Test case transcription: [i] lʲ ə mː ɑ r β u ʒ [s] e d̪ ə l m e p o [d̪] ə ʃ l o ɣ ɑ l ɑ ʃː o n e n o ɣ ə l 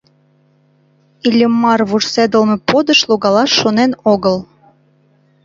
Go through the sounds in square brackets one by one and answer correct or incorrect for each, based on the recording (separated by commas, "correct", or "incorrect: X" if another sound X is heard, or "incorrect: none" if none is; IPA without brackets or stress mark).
correct, correct, correct